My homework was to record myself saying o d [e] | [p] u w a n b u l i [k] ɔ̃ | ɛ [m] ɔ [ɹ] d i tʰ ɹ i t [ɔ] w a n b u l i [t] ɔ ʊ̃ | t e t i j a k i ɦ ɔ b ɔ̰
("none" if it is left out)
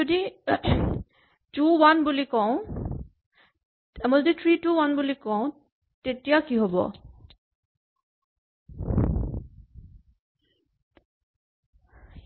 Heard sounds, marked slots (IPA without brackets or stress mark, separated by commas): i, t, k, m, l, u, k